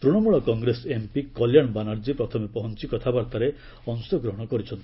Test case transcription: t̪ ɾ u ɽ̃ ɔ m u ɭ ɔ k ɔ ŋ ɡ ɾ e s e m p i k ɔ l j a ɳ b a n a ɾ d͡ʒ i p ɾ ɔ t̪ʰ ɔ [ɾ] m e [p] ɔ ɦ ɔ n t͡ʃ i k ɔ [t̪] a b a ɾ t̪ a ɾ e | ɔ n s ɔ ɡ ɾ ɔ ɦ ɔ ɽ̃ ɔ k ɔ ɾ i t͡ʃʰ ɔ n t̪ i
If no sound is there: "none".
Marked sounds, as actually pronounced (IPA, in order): none, p, t̪ʰ

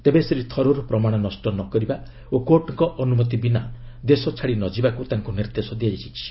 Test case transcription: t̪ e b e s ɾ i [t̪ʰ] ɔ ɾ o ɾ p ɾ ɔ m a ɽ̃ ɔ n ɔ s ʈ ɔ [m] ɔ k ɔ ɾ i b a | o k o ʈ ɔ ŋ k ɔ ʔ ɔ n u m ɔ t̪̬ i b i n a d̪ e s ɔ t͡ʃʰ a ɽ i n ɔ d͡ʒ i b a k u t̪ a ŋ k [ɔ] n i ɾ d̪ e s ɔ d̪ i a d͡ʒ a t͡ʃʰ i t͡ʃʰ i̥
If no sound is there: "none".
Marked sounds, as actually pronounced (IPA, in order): t̪ʰ, n, u

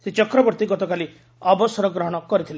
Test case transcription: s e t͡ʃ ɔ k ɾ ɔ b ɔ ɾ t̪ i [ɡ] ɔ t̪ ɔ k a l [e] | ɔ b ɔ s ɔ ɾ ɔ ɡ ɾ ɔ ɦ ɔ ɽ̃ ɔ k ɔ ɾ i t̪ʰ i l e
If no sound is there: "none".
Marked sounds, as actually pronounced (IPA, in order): ɡ, i

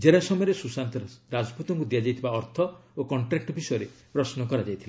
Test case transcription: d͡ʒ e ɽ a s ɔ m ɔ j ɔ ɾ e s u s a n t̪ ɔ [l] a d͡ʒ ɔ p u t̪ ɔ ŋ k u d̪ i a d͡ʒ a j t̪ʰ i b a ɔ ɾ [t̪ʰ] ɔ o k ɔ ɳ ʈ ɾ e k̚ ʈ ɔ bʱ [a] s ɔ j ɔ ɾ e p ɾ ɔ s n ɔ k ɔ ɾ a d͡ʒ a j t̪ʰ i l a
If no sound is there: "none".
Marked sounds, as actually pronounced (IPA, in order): ɾ, t̪ʰ, i

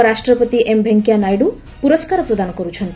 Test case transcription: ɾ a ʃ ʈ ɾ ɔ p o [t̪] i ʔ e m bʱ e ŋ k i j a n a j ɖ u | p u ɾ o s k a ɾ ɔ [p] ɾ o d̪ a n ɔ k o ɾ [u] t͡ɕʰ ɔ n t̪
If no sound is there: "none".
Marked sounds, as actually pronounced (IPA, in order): t̪, p, u

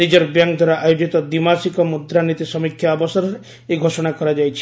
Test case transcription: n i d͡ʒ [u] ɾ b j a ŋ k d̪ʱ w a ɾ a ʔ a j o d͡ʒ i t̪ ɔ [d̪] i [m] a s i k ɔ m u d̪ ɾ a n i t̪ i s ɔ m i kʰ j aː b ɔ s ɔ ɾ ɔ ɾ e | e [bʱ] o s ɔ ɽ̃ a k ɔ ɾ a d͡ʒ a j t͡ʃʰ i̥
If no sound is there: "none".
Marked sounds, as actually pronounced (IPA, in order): ɔ, d̪, m, ɡʱ

